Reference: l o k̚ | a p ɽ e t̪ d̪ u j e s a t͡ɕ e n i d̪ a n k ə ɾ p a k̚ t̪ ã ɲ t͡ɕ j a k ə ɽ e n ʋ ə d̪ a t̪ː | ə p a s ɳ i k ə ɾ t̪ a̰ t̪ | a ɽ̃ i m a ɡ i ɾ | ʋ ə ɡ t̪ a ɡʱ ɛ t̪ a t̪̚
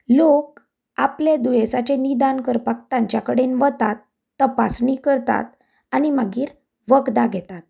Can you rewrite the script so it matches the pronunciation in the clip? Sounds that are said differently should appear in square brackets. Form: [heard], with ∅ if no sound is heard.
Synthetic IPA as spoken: l o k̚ | a p [l] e [∅] d̪ u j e s a t͡ɕ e n i d̪ a n k ə ɾ p a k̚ t̪ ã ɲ t͡ɕ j a k ə ɽ e n ʋ ə [t̪] a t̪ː | ə p a s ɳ i k ə ɾ t̪ a̰ t̪ | a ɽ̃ i m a ɡ [iː] ɾ | ʋ ə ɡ [d̪] a ɡʱ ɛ t̪ a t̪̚